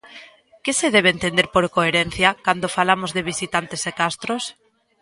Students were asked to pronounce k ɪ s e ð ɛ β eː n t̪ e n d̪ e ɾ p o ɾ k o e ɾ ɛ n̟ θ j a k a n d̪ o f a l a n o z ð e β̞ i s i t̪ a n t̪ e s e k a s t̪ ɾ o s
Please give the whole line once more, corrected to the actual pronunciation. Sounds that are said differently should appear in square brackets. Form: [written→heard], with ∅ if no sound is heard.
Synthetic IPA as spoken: k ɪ s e ð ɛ β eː n t̪ e n d̪ e ɾ p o ɾ k o e ɾ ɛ n̟ θ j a k a n d̪ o f a l a [n→m] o z ð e β̞ i s i t̪ a n t̪ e s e k a s t̪ ɾ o s